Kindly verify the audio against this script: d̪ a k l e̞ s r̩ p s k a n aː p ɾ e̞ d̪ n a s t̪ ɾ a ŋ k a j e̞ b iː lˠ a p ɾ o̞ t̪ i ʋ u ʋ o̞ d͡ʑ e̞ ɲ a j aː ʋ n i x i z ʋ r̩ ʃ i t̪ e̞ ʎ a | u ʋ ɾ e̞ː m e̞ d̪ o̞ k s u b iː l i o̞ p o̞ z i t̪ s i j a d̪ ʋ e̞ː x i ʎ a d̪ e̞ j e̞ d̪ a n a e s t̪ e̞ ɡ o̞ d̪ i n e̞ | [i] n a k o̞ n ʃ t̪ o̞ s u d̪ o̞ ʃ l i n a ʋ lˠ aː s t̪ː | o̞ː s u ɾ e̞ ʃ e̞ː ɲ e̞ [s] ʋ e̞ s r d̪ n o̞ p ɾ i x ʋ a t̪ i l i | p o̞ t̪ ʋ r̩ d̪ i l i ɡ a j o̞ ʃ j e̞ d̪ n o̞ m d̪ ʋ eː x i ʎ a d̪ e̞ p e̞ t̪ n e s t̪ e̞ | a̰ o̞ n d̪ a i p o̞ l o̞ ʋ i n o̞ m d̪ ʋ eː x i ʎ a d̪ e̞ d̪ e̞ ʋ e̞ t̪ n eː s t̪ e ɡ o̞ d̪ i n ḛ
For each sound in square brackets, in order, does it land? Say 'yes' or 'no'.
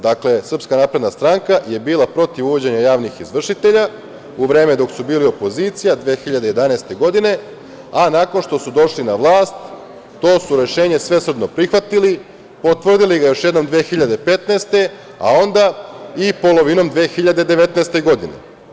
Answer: no, yes

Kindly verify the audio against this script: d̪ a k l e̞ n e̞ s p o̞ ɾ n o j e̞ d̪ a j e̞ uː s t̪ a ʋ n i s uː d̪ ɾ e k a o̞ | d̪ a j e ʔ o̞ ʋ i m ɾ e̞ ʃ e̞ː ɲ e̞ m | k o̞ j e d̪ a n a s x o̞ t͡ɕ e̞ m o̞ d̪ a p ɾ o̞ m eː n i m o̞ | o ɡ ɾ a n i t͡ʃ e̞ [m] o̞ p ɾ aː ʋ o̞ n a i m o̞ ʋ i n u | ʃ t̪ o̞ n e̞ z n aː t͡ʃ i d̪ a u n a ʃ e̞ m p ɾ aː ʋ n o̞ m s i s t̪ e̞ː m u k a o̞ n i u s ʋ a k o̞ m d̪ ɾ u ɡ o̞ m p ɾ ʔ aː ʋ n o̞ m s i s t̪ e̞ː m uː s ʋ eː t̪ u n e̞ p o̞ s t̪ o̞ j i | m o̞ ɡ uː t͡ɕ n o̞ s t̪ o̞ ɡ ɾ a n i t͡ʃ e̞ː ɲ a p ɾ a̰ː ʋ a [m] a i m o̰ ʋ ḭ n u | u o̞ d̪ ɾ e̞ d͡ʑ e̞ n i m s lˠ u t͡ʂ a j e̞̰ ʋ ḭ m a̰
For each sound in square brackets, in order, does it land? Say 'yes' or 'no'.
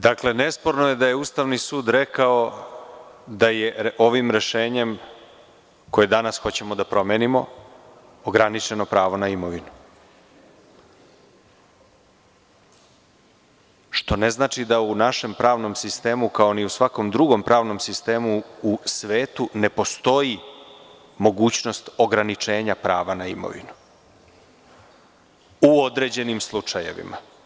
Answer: no, no

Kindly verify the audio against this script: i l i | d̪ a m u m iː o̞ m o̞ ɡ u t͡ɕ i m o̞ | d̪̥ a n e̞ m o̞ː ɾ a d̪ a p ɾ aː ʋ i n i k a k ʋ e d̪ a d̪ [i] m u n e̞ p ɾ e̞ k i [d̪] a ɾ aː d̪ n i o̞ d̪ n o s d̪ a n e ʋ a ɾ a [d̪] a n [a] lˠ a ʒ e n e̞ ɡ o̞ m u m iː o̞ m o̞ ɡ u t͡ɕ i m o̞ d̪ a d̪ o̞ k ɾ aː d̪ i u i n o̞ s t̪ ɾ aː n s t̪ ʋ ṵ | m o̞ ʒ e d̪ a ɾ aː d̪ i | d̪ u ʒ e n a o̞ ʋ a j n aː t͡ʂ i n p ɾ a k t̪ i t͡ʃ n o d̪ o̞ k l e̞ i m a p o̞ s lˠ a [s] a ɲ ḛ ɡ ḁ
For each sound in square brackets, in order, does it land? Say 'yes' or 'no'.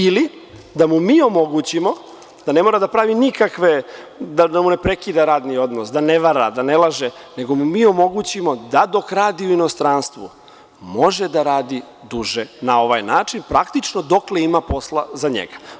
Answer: no, yes, yes, no, no

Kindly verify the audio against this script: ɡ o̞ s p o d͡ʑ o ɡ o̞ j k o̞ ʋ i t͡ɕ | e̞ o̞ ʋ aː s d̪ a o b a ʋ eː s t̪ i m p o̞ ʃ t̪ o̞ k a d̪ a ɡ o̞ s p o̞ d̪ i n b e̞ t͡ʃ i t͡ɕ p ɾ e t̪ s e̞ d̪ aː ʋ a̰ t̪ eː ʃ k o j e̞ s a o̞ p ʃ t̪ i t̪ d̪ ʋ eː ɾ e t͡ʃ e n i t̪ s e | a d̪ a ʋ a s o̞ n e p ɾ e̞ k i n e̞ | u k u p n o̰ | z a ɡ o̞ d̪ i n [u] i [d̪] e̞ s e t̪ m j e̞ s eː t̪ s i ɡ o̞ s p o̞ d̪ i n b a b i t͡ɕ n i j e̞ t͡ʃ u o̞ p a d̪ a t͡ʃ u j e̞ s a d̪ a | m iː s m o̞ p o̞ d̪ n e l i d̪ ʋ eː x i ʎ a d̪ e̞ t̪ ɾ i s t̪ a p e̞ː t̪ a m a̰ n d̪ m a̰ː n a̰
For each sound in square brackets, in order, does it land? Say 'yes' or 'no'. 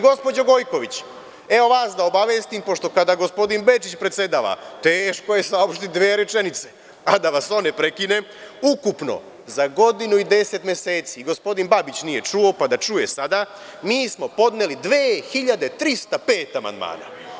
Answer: yes, yes

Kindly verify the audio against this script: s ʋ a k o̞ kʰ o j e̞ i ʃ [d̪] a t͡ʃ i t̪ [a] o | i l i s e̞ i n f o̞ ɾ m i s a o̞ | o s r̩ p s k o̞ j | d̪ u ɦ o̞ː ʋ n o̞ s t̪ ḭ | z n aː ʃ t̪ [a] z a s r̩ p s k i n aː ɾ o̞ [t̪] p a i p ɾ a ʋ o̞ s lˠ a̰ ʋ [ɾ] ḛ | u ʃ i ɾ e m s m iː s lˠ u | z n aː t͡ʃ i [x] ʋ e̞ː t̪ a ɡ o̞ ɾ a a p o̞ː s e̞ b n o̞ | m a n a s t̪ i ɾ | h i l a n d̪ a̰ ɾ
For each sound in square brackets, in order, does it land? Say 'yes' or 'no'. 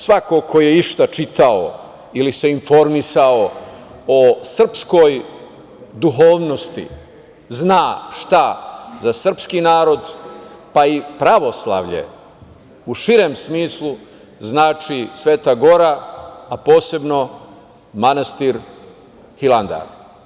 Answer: no, yes, yes, no, no, no

